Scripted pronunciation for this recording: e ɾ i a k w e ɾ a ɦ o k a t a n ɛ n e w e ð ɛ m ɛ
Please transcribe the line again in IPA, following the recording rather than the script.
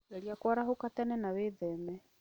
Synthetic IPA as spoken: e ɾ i a k w a ɾ a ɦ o k a t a n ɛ n a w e ð ɛ m ɛ